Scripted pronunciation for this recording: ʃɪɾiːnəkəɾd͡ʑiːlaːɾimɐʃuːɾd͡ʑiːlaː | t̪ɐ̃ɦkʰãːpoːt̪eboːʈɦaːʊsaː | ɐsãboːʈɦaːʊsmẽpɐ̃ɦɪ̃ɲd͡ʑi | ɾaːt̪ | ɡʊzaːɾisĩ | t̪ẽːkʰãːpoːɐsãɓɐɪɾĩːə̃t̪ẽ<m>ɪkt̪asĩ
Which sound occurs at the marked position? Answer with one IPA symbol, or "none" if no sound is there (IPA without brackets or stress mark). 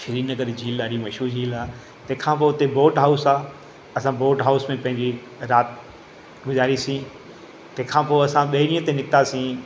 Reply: n